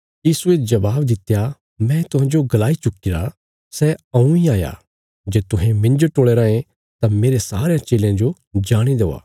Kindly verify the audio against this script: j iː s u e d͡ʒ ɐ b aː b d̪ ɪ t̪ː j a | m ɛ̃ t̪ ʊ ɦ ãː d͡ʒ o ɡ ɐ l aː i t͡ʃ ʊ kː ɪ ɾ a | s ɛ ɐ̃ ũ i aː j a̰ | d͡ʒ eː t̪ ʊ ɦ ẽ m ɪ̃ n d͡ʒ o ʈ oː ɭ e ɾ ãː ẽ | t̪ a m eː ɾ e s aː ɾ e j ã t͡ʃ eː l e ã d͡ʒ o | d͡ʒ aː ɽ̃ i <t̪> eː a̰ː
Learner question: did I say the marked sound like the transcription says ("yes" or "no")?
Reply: no